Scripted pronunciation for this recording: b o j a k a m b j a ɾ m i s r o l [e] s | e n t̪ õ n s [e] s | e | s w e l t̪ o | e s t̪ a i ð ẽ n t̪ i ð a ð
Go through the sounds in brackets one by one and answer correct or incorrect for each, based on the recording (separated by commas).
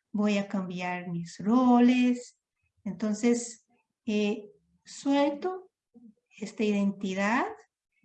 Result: correct, correct